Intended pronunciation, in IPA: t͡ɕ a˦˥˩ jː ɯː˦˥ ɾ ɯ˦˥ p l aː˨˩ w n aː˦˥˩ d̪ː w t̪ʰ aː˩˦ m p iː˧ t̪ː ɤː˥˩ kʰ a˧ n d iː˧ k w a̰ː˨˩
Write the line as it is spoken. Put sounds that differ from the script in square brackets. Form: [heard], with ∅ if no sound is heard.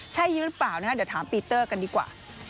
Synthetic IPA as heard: [t͡ɕʰ] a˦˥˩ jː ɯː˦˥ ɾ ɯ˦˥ p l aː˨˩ w n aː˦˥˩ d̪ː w t̪ʰ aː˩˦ m p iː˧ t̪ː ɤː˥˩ [k] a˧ n d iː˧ k w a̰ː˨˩